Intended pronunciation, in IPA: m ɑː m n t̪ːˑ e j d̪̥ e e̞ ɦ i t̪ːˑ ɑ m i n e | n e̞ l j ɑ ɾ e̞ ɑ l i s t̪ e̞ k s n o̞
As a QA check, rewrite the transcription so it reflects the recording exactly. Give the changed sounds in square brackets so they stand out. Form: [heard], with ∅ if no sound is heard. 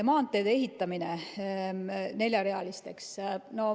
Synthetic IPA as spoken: m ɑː [∅] n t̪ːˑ e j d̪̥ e e̞ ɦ i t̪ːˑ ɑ m i n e | n e̞ l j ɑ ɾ e̞ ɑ l i s t̪ e̞ k s n o̞